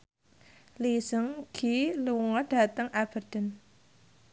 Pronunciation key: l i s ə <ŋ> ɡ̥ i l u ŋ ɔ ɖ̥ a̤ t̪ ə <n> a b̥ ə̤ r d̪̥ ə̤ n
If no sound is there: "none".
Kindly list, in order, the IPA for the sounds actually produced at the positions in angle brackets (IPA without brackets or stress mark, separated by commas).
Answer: ŋ, ŋ